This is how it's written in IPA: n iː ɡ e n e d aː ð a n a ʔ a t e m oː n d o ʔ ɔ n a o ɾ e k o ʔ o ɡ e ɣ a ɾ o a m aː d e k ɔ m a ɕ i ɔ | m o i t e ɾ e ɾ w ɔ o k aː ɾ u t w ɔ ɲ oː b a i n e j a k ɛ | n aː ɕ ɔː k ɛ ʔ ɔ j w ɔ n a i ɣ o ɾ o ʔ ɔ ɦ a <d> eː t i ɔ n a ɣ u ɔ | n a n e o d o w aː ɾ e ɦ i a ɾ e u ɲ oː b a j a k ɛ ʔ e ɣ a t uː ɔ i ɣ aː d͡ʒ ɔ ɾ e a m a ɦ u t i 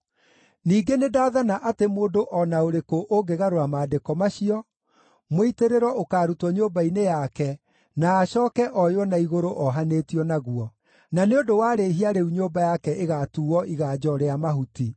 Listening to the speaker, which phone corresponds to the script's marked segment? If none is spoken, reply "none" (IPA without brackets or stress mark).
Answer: n